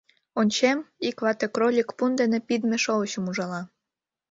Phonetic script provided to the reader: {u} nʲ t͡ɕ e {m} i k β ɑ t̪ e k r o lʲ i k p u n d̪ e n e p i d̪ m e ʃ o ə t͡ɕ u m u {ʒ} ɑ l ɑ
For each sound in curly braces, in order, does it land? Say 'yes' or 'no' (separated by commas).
no, yes, yes